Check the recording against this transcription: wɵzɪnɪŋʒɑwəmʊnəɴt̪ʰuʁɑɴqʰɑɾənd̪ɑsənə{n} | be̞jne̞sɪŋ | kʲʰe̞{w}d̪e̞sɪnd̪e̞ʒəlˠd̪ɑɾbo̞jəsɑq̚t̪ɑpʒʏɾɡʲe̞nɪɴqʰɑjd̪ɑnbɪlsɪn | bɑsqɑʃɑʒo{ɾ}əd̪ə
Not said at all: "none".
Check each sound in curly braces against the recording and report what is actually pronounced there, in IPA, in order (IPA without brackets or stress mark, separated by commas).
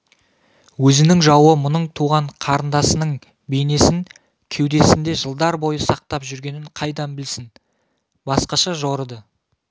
ɴ, w, ɾ